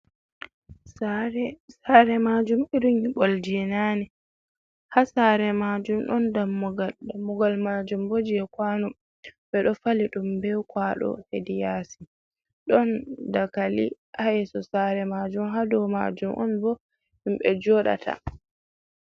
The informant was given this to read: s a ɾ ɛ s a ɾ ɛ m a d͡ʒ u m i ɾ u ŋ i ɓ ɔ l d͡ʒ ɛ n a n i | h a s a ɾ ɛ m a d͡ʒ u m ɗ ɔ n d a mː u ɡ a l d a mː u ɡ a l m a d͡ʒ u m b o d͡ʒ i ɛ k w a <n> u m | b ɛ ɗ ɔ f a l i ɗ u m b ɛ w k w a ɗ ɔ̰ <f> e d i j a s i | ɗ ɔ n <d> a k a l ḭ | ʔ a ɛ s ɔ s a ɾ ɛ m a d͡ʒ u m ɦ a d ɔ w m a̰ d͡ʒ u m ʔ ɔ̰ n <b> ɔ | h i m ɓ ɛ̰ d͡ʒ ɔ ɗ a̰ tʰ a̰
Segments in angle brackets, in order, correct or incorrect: correct, incorrect: h, correct, correct

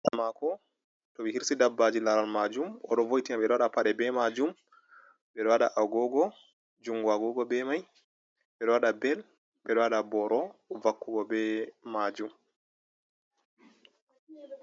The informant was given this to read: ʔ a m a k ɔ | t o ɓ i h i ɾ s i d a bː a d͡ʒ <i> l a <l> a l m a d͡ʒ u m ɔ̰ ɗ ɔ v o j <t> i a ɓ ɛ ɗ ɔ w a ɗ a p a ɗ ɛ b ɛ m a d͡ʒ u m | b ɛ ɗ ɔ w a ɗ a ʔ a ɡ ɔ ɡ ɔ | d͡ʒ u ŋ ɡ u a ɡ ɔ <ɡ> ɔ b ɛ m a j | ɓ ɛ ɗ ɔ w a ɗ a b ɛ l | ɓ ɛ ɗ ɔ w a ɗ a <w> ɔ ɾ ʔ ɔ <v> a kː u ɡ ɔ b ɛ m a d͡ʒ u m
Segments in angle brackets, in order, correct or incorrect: correct, incorrect: ɾ, correct, correct, incorrect: b, correct

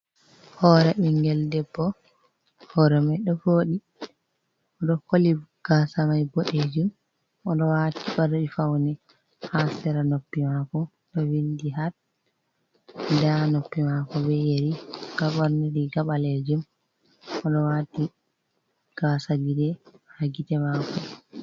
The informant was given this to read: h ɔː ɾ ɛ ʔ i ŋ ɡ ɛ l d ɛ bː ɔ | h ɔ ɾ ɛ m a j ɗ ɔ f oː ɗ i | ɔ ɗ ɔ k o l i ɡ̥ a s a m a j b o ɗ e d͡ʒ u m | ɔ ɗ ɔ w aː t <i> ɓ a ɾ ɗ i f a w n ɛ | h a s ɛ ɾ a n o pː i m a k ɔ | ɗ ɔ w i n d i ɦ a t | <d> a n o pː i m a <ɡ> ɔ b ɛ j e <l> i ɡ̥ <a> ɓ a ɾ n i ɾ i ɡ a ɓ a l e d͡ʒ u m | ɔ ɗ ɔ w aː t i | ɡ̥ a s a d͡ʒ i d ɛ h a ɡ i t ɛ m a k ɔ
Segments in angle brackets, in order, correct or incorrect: correct, correct, incorrect: k, incorrect: ɾ, correct

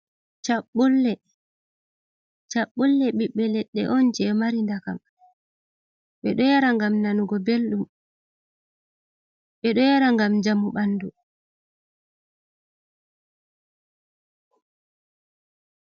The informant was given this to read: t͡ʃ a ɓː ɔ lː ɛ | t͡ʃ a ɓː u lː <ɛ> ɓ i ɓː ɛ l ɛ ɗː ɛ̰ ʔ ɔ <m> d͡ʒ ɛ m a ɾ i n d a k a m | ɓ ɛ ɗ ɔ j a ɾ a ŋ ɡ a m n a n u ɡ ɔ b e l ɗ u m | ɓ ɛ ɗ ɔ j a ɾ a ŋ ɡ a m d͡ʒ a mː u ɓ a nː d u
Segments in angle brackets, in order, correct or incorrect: correct, incorrect: n

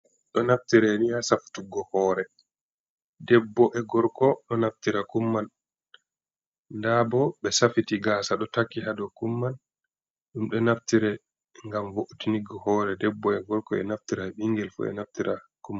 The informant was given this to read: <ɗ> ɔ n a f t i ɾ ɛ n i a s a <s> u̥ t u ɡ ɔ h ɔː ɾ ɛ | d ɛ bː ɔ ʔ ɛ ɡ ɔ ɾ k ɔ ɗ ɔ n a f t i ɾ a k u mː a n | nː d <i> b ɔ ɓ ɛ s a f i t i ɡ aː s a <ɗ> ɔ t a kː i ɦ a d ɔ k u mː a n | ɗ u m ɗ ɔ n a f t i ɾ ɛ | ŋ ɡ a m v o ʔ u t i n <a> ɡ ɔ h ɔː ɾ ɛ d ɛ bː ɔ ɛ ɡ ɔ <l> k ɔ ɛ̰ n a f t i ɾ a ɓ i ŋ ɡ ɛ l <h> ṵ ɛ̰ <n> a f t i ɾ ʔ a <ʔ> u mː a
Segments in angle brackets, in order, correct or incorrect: correct, incorrect: f, incorrect: a, correct, incorrect: i, incorrect: ɾ, incorrect: f, correct, incorrect: k

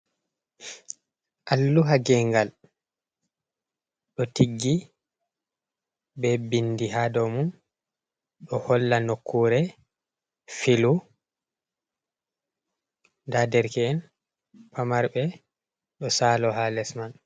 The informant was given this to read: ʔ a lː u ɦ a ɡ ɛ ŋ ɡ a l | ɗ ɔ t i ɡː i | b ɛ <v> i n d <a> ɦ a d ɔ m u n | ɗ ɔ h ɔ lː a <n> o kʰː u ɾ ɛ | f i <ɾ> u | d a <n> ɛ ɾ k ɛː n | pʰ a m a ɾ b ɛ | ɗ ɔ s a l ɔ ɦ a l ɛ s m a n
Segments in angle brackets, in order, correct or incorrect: incorrect: b, incorrect: i, correct, incorrect: l, incorrect: d

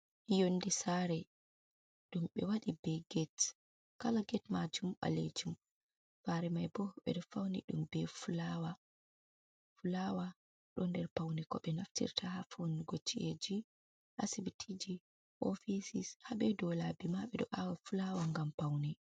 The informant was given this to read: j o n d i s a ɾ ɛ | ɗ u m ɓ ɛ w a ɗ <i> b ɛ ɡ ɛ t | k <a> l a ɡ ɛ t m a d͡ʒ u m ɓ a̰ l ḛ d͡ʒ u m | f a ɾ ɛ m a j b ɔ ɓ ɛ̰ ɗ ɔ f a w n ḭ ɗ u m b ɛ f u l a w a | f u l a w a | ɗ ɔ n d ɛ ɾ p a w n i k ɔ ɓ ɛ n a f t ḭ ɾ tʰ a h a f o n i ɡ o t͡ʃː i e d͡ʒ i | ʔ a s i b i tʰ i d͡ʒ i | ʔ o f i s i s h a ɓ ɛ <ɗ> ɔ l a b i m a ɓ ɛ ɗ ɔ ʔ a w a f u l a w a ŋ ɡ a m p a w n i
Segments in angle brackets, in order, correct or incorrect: correct, correct, incorrect: d

